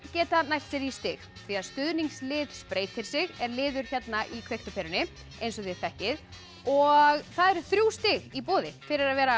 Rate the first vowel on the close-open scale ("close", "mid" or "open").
mid